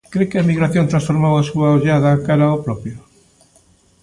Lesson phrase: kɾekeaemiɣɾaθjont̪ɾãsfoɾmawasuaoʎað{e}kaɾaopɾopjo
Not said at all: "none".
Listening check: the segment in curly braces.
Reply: a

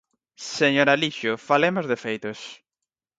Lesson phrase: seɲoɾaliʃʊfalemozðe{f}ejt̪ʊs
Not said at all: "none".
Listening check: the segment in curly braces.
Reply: f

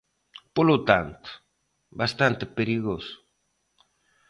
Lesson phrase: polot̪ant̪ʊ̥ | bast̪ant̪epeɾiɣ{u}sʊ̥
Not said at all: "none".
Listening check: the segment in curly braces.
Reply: o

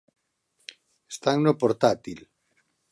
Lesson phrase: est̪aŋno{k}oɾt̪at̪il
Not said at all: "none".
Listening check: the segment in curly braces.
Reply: p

